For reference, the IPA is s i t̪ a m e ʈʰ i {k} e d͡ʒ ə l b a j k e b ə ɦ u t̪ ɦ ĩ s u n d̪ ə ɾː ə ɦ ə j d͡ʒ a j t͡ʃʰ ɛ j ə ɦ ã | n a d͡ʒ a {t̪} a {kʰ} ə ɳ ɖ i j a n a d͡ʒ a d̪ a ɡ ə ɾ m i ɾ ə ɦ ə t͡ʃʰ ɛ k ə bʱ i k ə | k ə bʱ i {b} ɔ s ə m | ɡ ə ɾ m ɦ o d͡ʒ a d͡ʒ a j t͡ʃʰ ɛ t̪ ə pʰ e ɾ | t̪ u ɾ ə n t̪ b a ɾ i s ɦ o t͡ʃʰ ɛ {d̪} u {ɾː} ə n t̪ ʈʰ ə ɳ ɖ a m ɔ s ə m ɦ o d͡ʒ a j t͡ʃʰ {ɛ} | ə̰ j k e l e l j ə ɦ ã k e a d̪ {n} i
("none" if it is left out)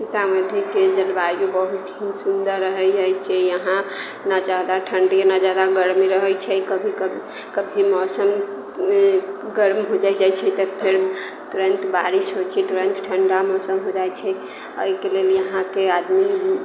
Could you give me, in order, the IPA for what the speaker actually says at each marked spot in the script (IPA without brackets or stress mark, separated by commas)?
k, d̪, ʈʰ, m, t̪, ɾ, ɛ, m